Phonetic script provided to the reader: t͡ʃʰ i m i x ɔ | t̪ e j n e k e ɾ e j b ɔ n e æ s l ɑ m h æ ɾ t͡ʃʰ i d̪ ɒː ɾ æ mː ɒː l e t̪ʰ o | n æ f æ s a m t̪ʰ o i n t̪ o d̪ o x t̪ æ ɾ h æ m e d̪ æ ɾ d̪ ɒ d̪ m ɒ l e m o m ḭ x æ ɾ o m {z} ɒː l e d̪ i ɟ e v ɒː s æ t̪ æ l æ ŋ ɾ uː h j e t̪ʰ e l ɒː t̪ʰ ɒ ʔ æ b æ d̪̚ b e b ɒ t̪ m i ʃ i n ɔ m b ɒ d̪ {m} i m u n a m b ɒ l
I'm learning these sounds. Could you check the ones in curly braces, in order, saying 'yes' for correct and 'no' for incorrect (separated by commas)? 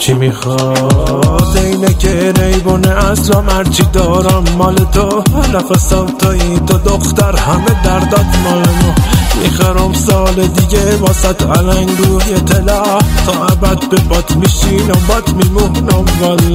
no, yes